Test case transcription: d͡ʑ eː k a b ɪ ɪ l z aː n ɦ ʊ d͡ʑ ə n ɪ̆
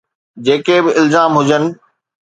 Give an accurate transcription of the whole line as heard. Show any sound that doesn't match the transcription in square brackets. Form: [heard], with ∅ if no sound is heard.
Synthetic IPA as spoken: d͡ʑ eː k [e] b ɪ ɪ l z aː [m] ɦ ʊ d͡ʑ ə n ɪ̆